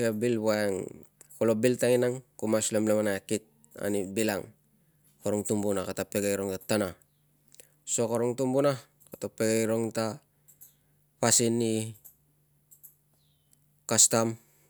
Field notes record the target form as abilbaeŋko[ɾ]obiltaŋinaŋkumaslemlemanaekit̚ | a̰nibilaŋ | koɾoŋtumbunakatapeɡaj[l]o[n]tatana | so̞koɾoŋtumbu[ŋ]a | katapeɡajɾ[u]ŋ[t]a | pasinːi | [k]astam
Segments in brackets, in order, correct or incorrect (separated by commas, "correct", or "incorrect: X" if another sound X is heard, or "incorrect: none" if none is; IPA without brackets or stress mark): incorrect: l, incorrect: ɾ, incorrect: ŋ, incorrect: n, incorrect: o, correct, correct